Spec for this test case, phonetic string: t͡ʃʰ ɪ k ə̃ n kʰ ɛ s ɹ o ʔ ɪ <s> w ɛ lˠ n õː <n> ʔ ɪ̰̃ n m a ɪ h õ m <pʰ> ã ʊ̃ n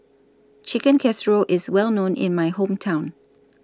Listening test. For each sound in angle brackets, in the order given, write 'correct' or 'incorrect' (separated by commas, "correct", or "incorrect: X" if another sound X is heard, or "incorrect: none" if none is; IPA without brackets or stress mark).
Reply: incorrect: z, correct, incorrect: tʰ